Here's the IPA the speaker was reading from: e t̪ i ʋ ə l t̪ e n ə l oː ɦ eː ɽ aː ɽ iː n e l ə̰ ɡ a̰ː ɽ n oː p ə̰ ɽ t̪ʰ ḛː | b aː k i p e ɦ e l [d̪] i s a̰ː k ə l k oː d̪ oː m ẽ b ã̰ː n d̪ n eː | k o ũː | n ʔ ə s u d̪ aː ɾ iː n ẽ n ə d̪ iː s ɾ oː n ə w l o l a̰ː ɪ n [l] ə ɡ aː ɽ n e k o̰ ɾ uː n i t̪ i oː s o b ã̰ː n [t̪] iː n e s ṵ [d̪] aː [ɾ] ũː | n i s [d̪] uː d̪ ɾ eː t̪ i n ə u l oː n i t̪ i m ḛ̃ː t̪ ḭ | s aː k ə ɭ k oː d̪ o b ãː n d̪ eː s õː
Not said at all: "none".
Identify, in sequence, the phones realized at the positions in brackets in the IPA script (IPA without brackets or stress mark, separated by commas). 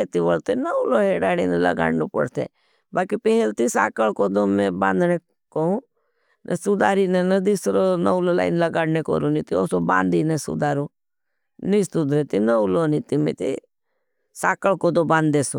t̪, l, d̪, d̪, ɾ, t̪